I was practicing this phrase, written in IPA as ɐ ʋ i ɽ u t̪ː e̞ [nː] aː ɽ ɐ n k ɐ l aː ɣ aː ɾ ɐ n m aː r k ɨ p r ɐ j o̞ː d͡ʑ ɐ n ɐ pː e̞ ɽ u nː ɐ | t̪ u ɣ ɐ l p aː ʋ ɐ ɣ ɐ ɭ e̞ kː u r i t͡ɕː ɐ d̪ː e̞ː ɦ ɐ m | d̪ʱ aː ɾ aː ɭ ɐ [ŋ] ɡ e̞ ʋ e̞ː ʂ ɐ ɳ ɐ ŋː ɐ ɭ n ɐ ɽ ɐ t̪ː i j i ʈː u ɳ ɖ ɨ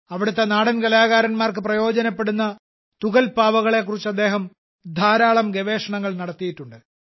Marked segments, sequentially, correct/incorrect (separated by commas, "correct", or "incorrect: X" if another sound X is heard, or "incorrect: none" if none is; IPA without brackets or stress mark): incorrect: n, incorrect: m